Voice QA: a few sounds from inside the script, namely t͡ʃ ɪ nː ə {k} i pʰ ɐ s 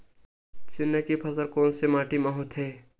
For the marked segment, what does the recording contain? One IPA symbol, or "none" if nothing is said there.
k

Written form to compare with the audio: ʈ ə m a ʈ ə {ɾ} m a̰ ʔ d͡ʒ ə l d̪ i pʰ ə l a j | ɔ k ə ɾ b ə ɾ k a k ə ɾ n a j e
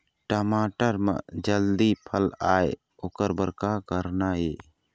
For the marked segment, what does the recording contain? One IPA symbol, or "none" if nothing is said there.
ɾ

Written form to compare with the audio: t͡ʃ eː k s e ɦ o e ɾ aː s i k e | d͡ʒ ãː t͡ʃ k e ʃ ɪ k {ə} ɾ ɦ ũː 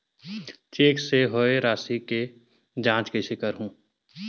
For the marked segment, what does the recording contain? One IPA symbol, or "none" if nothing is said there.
ə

